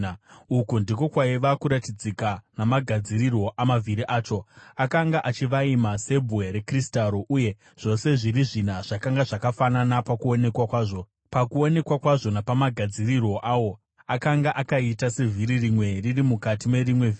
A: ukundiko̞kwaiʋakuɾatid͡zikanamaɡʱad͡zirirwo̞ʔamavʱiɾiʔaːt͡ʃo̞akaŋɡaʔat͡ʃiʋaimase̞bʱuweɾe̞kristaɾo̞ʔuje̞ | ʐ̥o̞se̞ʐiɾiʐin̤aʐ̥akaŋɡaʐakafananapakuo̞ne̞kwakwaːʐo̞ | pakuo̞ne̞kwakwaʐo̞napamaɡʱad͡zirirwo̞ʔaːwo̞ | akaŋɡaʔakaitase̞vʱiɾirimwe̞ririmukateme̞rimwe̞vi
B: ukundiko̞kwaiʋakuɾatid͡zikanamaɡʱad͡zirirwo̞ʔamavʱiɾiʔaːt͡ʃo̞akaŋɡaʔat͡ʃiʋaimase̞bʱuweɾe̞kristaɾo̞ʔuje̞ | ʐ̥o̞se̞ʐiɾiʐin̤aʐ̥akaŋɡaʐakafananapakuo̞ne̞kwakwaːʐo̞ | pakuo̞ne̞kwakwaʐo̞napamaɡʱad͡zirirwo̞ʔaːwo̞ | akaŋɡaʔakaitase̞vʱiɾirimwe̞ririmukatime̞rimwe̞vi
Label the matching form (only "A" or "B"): B